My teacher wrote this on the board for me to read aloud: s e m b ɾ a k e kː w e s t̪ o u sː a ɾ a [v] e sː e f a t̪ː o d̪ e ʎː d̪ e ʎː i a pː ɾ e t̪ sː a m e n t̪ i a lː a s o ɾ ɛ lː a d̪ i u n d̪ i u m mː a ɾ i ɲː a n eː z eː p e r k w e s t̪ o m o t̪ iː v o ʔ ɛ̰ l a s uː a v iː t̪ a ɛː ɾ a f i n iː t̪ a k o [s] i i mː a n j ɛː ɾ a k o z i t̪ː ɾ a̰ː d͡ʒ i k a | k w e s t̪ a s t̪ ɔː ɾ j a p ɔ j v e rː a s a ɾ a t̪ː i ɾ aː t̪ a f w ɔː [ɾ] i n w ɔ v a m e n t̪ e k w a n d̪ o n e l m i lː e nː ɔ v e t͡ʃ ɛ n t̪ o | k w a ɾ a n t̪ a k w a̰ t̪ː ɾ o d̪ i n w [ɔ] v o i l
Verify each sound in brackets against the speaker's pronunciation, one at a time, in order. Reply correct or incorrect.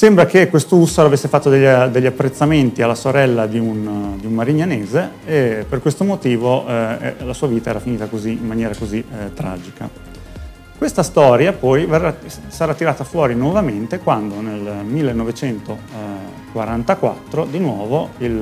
correct, incorrect: z, correct, incorrect: ɔː

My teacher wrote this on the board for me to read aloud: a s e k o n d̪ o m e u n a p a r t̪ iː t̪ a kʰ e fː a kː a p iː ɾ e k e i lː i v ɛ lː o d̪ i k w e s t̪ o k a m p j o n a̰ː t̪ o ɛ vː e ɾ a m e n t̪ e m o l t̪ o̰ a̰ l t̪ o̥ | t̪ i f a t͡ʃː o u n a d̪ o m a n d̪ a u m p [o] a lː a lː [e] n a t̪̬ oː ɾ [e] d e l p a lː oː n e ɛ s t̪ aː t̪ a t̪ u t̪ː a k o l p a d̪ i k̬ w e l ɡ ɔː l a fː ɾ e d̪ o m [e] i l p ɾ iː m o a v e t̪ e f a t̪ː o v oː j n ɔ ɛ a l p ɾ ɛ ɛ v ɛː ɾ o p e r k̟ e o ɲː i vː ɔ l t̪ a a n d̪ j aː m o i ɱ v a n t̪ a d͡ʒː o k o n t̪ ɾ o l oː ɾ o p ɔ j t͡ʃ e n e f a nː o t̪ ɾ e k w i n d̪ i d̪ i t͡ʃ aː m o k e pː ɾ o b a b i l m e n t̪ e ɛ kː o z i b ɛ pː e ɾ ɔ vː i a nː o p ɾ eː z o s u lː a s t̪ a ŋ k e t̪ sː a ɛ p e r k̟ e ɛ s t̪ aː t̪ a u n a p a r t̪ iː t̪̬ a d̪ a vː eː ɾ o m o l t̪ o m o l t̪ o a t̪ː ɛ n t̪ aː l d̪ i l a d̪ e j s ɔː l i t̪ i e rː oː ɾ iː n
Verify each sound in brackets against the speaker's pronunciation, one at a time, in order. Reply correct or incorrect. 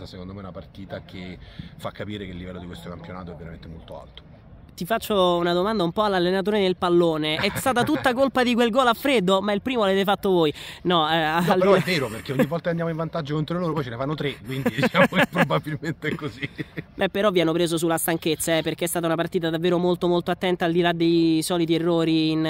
incorrect: ɔ, correct, correct, incorrect: a

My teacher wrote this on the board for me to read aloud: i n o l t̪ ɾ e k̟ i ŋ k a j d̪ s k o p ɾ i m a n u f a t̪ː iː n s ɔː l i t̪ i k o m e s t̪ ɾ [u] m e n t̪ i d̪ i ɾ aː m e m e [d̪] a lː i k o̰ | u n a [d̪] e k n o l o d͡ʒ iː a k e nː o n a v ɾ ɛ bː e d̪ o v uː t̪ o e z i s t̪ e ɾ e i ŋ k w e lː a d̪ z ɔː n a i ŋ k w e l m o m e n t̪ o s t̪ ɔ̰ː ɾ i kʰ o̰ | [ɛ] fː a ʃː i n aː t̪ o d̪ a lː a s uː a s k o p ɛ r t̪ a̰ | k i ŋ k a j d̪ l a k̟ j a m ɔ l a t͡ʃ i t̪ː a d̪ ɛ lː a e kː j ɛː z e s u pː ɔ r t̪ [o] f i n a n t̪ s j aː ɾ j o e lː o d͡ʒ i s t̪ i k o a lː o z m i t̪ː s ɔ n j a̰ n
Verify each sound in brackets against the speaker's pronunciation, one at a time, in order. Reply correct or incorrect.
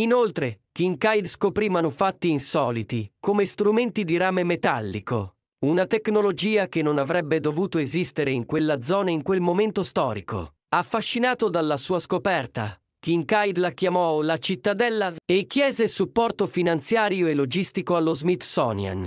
correct, incorrect: t̪, incorrect: t̪, incorrect: a, correct

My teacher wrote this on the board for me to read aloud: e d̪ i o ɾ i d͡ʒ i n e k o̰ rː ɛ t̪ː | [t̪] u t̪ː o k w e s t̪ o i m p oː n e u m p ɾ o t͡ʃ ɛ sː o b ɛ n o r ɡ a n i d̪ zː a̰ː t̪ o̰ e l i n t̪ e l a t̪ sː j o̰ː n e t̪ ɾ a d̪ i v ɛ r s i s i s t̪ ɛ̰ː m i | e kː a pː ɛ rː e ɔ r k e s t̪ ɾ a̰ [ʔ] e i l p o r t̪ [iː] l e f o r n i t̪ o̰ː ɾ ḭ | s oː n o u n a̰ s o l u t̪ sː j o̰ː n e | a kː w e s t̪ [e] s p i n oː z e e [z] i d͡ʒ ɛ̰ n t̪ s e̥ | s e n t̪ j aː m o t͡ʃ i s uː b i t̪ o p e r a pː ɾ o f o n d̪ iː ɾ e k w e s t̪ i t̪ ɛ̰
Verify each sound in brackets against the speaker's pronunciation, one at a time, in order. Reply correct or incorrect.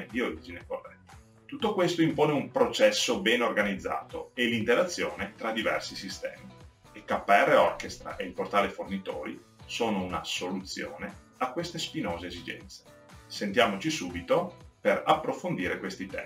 correct, correct, incorrect: aː, correct, correct

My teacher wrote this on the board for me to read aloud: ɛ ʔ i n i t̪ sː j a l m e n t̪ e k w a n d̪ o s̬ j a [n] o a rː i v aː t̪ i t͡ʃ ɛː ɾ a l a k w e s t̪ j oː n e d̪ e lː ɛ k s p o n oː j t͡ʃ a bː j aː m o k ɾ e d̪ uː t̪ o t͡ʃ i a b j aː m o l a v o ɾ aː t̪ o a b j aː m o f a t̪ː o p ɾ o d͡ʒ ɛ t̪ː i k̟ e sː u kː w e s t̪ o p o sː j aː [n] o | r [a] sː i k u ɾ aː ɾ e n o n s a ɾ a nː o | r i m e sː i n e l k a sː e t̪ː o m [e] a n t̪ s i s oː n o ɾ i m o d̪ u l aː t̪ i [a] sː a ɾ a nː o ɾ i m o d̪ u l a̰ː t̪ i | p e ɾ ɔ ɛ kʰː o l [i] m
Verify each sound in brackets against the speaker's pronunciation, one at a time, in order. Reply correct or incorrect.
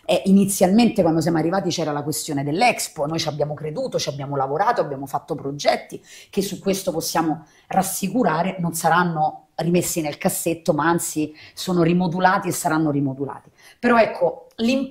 incorrect: m, incorrect: m, correct, incorrect: a, incorrect: e, correct

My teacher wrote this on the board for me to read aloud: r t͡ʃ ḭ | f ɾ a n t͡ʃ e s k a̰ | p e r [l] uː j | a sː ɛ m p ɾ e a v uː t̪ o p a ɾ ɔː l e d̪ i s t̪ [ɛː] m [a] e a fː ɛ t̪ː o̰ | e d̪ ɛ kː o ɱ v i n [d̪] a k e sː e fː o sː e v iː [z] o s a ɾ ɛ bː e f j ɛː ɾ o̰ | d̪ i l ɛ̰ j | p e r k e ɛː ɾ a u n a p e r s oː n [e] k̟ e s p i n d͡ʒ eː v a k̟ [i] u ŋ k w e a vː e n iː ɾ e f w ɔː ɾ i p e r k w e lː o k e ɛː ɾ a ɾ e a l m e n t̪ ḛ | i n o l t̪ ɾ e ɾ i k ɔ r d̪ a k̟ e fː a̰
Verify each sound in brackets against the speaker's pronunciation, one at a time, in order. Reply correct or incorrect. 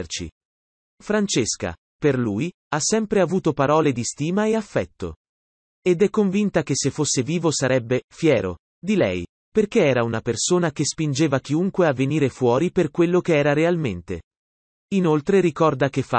correct, incorrect: iː, correct, incorrect: t̪, incorrect: v, incorrect: a, correct

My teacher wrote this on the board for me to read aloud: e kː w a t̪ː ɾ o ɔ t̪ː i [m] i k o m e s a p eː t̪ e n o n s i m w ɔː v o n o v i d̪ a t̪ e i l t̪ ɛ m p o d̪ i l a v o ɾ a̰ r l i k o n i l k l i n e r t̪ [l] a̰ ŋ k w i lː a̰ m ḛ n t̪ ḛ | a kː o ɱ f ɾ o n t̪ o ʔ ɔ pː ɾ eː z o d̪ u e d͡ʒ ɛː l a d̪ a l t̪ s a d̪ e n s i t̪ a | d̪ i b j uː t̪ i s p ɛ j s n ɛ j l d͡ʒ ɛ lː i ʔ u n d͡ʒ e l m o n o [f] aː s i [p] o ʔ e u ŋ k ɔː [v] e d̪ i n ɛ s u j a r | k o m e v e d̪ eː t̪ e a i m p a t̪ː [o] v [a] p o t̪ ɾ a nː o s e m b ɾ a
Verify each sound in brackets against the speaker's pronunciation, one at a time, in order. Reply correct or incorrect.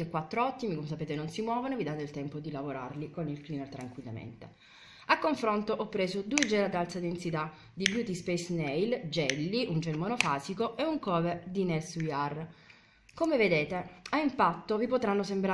correct, incorrect: ɾ, correct, incorrect: k, correct, correct, incorrect: i

